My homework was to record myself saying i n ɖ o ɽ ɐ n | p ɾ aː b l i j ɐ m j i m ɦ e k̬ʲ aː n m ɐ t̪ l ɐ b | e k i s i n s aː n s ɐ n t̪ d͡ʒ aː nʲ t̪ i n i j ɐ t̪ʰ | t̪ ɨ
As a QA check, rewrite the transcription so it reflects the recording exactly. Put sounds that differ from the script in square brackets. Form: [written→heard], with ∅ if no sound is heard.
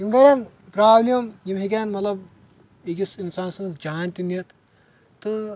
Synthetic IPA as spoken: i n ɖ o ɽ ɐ n | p ɾ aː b l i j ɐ m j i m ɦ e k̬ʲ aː n m ɐ t̪ l ɐ b | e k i s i n s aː n s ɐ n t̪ d͡ʒ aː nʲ t̪ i n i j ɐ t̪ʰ | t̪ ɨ